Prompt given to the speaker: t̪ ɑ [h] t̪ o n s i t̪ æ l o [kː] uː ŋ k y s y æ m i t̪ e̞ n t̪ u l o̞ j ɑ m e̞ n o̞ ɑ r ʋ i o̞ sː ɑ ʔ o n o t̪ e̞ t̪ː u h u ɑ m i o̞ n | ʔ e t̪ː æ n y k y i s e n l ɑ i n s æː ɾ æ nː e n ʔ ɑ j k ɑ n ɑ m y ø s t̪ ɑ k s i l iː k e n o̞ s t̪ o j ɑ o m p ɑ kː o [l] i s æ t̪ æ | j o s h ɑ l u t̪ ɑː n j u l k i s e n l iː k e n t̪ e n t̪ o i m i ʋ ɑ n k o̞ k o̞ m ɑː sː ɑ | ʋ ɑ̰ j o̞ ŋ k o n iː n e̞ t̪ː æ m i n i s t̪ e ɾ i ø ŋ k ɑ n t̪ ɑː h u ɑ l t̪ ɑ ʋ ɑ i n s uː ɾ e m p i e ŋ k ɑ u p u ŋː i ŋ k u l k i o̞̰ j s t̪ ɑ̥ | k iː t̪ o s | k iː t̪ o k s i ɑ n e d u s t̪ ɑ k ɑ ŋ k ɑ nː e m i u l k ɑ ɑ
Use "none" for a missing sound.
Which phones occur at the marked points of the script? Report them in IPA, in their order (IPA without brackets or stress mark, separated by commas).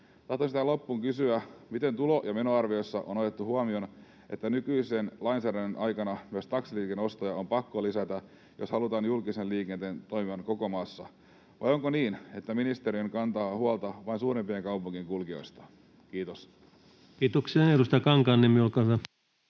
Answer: h, pː, l